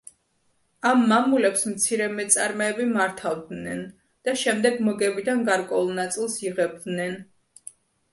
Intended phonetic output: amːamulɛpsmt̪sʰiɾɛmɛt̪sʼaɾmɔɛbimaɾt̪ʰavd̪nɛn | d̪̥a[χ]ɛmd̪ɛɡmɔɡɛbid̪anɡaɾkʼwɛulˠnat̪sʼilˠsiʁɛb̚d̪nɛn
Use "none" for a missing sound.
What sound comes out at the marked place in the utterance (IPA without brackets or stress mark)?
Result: ʃ